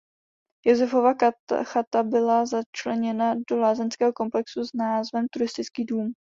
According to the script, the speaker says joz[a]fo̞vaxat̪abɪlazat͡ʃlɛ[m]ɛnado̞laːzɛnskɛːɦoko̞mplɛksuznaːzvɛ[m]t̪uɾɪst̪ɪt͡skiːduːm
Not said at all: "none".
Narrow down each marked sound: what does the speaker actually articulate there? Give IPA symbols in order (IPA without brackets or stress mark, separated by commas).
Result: ɛ, ɲ, m